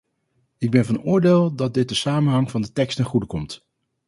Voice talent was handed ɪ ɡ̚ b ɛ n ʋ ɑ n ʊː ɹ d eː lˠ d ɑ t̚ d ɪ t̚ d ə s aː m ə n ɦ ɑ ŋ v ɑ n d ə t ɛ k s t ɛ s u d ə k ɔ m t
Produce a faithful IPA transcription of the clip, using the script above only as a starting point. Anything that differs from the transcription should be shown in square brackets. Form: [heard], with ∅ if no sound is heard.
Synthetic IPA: ɪ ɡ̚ b ɛ n [v] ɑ n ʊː ɹ d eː lˠ d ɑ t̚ d ɪ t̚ d ə s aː m ə n ɦ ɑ ŋ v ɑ n d ə t ɛ k s t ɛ [χ] u d ə k ɔ m t